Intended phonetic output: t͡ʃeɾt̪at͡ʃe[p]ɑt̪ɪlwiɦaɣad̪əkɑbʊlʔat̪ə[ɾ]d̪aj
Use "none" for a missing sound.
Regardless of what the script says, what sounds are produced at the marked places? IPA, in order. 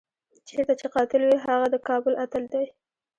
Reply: q, l

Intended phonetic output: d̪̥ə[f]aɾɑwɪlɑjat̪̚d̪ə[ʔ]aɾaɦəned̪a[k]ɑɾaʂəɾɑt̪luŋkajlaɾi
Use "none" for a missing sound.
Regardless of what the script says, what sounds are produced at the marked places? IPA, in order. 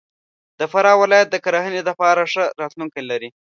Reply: f, k, p

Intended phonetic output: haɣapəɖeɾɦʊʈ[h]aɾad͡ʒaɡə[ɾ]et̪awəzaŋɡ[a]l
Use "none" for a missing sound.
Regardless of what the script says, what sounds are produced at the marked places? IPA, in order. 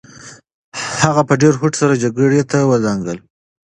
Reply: s, ɽ, ə

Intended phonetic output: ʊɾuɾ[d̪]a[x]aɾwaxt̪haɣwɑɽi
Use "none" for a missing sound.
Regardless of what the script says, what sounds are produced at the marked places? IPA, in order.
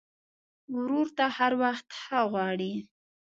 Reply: t̪, h

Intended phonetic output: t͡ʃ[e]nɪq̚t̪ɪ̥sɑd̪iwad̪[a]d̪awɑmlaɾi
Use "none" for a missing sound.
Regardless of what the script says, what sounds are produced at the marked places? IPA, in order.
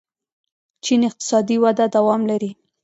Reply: i, a

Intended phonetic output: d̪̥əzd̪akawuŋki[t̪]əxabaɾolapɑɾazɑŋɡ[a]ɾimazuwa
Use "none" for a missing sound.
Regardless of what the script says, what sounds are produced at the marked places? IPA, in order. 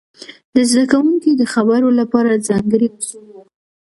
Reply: d̪, ə

